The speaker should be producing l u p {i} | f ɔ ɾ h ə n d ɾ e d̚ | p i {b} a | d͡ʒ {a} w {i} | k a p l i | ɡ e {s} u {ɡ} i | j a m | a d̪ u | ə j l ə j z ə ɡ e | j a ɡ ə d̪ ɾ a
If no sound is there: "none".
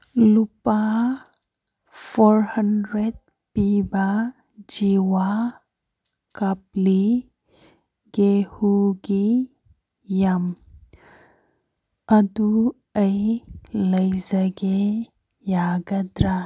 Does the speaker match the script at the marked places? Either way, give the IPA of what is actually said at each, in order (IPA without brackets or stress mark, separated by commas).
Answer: a, b, i, a, h, ɡ